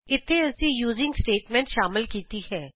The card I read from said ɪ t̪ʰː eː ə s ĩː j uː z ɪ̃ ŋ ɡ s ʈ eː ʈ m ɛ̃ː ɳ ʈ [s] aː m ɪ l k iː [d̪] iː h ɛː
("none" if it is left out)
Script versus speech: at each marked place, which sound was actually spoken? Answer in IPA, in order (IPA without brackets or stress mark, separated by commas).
ʃ, t̪